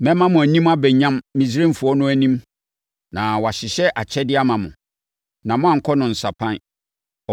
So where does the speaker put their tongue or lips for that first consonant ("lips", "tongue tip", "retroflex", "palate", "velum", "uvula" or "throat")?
lips